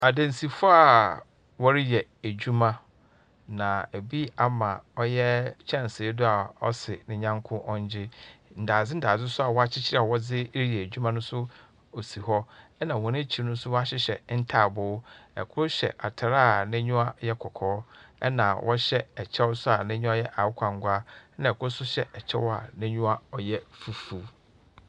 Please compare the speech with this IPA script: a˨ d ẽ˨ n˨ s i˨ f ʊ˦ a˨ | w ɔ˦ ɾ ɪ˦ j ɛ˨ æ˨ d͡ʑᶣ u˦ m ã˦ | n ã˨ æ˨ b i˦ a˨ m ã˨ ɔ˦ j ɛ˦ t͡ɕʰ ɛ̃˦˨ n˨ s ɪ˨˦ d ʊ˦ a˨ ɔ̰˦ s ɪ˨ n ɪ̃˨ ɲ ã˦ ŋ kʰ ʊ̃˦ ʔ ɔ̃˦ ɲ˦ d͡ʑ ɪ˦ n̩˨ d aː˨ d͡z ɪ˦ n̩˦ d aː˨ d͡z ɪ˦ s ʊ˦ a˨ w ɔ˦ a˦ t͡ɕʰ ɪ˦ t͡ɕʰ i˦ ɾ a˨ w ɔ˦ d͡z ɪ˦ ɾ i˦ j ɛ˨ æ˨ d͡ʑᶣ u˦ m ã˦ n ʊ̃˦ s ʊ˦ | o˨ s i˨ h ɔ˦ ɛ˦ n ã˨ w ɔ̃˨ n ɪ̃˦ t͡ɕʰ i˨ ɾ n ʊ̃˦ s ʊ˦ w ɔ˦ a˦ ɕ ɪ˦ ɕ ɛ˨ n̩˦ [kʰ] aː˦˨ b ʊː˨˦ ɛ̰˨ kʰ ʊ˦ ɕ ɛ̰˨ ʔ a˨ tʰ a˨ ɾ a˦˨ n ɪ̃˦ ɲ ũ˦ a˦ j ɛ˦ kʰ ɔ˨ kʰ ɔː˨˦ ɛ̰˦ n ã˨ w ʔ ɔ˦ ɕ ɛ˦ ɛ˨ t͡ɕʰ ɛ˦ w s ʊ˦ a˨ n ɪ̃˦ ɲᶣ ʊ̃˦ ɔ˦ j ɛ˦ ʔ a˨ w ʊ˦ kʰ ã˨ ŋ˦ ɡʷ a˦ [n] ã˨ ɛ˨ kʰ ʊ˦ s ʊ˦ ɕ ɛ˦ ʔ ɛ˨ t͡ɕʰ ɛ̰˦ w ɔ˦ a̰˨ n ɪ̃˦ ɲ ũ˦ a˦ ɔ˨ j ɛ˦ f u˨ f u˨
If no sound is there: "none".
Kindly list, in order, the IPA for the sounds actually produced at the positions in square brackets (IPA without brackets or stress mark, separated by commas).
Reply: tʰ, n